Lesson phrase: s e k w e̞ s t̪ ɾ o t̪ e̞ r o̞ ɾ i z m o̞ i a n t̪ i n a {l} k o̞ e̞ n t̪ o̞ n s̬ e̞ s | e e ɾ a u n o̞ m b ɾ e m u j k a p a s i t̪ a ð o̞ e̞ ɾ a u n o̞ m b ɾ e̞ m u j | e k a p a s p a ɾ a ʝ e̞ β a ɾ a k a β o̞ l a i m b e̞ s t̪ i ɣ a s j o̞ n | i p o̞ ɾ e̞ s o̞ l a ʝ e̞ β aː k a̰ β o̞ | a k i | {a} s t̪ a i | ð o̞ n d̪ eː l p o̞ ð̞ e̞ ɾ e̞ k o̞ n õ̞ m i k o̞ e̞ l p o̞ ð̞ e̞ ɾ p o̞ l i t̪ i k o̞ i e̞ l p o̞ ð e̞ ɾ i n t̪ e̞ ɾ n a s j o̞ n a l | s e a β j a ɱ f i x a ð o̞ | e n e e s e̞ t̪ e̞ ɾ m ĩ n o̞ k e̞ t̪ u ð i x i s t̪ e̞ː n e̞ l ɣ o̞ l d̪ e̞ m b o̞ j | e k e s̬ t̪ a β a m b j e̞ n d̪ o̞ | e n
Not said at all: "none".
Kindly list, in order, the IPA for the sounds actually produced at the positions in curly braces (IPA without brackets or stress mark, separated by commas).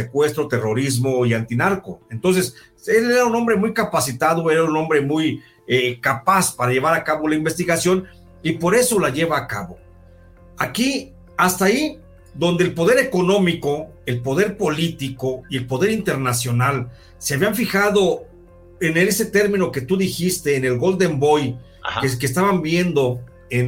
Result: ɾ, a